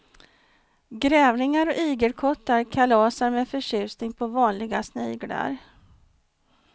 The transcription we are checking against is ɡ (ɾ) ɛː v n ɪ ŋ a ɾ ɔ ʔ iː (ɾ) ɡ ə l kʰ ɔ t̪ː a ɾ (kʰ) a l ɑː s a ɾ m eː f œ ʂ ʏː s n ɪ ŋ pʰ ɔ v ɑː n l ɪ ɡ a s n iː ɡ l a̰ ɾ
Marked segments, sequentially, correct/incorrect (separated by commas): correct, incorrect, correct